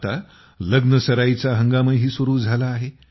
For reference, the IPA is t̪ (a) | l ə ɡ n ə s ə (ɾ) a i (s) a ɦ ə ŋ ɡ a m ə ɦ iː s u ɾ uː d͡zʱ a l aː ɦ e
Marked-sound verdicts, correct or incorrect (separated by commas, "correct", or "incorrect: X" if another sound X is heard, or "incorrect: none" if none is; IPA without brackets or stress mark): correct, correct, incorrect: t͡s